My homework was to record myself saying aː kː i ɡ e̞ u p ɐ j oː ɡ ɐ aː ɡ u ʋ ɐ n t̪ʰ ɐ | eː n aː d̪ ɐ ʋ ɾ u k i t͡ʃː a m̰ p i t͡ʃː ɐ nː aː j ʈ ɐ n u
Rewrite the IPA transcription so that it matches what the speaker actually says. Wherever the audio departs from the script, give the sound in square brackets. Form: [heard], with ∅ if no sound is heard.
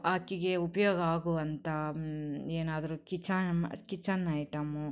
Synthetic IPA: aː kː i ɡ e̞ u p ɐ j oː ɡ ɐ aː ɡ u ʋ ɐ n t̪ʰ ɐ | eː n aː d̪ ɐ [∅] ɾ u k i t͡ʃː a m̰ [k] i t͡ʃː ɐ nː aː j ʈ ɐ [m] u